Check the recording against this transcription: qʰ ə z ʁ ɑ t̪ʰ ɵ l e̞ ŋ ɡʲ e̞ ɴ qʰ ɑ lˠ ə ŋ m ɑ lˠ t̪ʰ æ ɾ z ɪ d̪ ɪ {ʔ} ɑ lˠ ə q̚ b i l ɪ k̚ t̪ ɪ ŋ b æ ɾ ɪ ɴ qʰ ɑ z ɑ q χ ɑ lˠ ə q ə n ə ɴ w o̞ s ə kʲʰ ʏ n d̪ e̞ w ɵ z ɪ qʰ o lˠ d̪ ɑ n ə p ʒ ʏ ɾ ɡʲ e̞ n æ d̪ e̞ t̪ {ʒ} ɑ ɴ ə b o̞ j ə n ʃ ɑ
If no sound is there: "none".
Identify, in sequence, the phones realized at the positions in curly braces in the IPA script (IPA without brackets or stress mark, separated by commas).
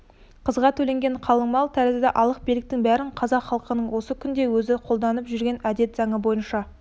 ʔ, z